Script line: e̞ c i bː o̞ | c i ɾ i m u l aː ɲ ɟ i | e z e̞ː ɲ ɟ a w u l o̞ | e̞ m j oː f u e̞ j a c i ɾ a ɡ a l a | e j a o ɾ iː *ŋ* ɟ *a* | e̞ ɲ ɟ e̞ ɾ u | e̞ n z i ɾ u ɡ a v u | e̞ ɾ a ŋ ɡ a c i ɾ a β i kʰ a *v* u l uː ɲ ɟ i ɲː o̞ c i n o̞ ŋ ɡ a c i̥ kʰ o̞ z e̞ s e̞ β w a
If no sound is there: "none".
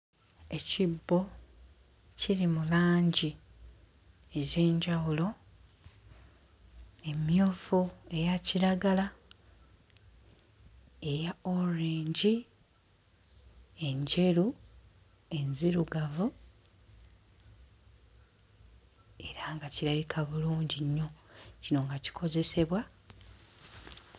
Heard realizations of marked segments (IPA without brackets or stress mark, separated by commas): ɲ, i, β